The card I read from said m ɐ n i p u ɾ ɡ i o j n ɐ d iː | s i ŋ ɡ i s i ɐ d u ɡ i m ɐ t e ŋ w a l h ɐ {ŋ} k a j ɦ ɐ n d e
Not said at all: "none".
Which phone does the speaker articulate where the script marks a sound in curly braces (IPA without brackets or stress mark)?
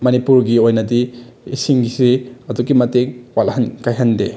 n